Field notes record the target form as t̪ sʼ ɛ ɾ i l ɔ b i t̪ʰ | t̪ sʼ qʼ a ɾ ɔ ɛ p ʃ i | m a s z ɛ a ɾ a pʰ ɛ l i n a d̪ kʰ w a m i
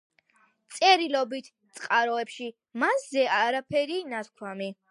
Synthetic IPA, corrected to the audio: t̪ sʼ ɛ ɾ i l ɔ b i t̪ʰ | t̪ sʼ qʼ a ɾ ɔ ɛ p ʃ i | m a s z ɛ a ɾ a pʰ ɛ ɾ i n a t̪ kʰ w a m i